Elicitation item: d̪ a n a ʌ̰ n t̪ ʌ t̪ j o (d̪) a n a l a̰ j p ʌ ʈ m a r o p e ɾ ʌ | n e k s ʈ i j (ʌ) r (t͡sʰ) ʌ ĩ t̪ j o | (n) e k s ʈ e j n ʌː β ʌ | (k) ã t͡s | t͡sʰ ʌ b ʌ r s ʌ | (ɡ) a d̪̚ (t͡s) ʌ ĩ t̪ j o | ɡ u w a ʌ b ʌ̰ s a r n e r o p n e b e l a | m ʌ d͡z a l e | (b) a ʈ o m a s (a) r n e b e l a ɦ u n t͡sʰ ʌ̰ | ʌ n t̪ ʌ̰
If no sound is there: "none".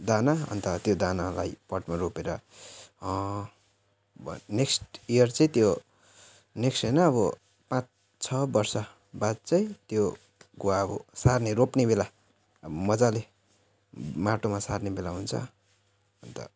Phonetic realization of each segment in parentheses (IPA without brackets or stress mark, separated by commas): d̪, ʌ, t͡s, n, p, b, t͡s, m, a